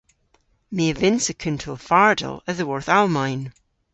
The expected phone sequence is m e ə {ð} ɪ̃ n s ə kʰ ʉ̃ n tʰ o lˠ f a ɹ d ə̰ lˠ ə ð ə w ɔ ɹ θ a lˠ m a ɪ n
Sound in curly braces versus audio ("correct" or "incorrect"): incorrect